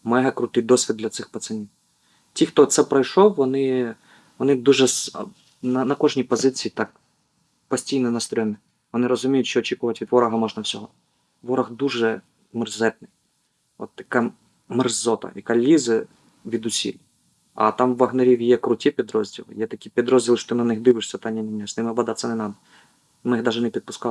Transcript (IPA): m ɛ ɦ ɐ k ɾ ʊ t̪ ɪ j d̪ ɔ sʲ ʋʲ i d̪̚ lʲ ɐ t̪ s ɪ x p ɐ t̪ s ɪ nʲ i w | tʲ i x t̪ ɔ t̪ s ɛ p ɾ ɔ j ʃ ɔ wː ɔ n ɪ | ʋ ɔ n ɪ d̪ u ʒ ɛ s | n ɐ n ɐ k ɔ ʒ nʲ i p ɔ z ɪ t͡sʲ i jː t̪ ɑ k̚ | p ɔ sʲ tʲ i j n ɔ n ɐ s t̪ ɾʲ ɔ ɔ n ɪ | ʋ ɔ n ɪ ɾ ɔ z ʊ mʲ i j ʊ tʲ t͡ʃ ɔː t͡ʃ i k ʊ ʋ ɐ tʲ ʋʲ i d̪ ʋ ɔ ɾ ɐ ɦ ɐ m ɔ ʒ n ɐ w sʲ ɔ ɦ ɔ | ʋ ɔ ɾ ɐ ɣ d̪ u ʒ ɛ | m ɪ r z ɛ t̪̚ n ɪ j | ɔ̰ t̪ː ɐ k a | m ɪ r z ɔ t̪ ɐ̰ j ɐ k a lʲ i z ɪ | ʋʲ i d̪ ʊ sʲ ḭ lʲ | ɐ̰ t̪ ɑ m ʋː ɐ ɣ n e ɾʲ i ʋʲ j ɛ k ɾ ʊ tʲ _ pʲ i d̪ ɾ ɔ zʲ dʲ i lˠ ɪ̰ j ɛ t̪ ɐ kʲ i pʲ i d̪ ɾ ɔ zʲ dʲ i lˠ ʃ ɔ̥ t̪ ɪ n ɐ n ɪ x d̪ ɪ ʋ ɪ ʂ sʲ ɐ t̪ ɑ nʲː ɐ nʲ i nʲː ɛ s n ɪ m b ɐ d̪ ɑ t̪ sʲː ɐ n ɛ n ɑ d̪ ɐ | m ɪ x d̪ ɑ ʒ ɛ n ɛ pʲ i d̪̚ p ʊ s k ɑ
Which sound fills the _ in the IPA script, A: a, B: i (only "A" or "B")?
B